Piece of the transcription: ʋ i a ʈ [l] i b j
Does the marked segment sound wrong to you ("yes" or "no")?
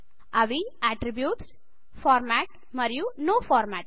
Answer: yes